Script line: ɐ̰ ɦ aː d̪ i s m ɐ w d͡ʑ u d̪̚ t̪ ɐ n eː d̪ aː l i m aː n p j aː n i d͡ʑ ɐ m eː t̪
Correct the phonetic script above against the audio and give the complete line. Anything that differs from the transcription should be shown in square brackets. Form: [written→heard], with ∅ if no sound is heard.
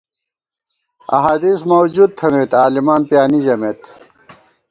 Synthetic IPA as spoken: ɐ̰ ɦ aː d̪ i s m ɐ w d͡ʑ u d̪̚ [t̪→t̪ʰ] ɐ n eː [d̪→t̪] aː l i m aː n p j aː n i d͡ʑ ɐ m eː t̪

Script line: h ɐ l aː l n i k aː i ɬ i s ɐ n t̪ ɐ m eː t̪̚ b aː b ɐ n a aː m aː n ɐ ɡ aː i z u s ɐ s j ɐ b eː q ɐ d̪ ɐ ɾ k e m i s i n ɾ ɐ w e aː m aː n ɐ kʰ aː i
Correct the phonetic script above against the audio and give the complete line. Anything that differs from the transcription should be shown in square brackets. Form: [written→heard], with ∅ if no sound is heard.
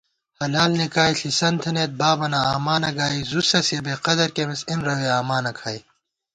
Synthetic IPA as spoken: h ɐ l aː l n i k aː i ɬ i s ɐ n [t̪→t̪ʰ] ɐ [m→n] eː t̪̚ b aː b ɐ n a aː m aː n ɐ ɡ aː i z u s ɐ s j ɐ b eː q ɐ d̪ ɐ ɾ k e m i s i n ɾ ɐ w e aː m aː n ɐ kʰ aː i

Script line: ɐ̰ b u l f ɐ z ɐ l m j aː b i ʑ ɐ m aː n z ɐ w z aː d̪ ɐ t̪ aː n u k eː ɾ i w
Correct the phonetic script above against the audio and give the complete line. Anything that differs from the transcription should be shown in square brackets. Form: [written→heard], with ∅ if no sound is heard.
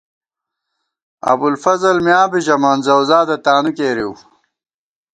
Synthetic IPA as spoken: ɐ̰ b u l f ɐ z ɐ l m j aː b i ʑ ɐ m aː n z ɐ w z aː d̪ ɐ t̪ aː n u k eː ɾ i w

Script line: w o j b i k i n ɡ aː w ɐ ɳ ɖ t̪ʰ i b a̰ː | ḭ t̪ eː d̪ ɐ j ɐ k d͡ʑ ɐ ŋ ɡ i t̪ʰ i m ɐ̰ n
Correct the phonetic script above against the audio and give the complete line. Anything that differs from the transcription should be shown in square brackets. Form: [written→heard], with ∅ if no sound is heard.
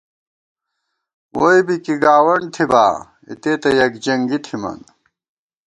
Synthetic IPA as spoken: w o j b i k i [n→∅] ɡ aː w ɐ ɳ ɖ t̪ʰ i b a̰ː | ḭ t̪ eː [d̪→t̪] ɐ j ɐ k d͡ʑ ɐ ŋ ɡ i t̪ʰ i m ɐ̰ n

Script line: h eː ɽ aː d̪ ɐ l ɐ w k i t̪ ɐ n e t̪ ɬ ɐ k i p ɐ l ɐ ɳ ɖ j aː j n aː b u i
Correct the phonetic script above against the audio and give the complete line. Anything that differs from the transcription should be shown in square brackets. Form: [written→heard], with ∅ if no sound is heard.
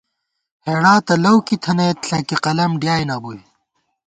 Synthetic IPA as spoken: h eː ɽ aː [d̪→t̪] ɐ l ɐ w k i [t̪→t̪ʰ] ɐ n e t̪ ɬ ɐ k i [p→q] ɐ l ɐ [ɳ→m] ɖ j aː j n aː b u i

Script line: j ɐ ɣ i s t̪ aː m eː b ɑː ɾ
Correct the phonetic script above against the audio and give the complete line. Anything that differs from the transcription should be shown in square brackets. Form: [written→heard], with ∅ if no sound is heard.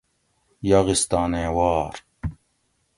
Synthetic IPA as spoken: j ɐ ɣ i s t̪ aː [m→n] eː [b→w] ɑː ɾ

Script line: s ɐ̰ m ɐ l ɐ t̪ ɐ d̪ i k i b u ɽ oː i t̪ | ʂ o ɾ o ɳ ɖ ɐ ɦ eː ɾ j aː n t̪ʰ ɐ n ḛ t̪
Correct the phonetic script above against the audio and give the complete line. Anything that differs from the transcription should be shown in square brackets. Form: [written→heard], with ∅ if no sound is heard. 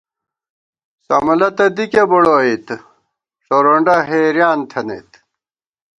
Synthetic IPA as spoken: s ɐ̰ m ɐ l ɐ t̪ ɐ d̪ i k [i→e] b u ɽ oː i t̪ | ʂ o ɾ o ɳ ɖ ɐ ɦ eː ɾ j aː n t̪ʰ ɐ n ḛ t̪

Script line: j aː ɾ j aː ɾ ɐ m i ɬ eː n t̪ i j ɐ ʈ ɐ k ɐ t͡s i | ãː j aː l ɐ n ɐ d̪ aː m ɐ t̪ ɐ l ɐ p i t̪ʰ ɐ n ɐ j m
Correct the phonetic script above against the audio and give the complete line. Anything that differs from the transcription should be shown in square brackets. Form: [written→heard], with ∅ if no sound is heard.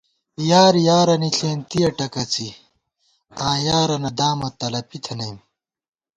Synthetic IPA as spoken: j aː ɾ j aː ɾ ɐ [m→n] i ɬ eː n t̪ i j ɐ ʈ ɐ k ɐ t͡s i | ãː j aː [l→ɾ] ɐ n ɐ d̪ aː m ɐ t̪ ɐ l ɐ p i t̪ʰ ɐ n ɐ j m

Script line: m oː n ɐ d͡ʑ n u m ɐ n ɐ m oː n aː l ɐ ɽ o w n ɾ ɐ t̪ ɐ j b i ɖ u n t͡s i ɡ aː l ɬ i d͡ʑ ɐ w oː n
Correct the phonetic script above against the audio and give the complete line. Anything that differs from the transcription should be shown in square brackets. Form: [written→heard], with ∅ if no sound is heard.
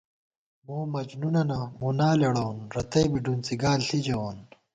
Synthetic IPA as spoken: m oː [n→m] ɐ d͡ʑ n u [m→n] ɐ n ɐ m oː n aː l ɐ ɽ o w n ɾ ɐ t̪ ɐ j b i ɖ u n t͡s i ɡ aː l ɬ i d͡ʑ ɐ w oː n

